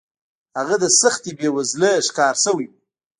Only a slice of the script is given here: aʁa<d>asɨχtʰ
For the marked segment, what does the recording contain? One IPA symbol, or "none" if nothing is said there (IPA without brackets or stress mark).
d